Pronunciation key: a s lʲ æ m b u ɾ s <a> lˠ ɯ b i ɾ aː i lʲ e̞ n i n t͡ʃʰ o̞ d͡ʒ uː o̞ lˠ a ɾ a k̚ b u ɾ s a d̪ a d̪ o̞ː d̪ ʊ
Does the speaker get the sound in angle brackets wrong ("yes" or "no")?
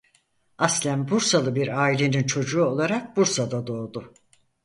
no